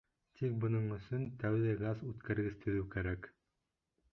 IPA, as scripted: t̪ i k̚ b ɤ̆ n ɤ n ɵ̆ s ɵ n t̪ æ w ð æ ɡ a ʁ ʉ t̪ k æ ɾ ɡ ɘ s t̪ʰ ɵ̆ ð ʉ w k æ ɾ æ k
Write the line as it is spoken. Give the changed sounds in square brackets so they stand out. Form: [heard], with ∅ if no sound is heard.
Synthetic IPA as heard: t̪ i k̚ b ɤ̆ n ɤ [ɴ] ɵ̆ s ɵ n t̪ æ w ð æ ɡ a [z] ʉ t̪ k æ ɾ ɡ ɘ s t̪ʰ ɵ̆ ð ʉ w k æ ɾ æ k